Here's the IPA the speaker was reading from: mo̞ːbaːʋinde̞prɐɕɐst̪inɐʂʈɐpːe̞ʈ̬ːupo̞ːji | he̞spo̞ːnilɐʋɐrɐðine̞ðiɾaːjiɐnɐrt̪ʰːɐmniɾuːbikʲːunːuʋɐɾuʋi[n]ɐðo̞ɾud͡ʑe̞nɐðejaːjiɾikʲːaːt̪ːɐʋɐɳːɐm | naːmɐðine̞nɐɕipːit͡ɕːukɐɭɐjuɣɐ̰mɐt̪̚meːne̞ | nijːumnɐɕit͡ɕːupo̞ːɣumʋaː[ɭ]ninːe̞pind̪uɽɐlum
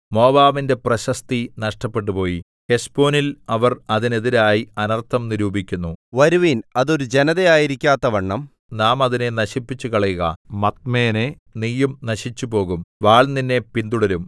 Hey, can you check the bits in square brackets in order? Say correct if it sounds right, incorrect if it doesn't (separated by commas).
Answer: correct, correct